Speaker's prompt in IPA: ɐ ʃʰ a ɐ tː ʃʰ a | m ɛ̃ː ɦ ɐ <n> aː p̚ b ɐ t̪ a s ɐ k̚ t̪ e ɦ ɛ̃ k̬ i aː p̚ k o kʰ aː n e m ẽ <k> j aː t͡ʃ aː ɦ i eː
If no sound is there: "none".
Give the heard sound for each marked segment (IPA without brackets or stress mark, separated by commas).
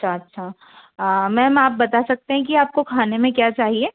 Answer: m, k